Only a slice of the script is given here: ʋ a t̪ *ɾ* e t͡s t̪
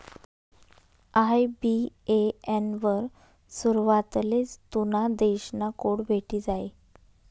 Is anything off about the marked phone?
yes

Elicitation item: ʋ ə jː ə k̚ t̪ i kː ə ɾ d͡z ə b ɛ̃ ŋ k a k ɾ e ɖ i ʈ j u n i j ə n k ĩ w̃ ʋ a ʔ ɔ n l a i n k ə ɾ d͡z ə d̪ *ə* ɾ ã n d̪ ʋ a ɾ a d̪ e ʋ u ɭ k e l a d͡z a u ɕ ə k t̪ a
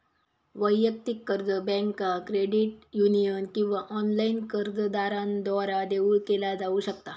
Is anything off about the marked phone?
yes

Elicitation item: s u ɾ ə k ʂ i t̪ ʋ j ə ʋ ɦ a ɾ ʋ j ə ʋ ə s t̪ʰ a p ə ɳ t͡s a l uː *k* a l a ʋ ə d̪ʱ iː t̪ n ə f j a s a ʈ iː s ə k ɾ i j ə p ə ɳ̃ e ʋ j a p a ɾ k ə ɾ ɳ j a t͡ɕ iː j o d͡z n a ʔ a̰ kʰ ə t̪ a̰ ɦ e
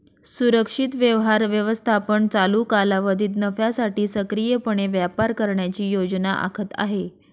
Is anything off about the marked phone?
no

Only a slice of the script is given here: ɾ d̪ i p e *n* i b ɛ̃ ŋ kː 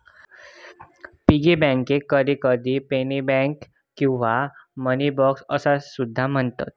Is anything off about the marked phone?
no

